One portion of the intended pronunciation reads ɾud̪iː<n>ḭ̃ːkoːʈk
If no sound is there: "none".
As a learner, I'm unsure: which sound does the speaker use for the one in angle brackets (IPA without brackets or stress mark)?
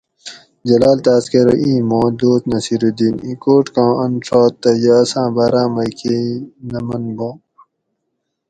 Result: n